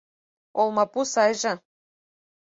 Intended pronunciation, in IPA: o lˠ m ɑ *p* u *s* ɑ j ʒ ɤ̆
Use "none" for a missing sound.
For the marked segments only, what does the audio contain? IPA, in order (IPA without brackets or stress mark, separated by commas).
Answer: p, s